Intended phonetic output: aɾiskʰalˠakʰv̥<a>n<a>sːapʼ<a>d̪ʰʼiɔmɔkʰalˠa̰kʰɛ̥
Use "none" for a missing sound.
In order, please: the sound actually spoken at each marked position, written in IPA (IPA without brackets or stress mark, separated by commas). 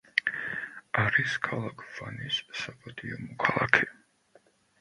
a, i, a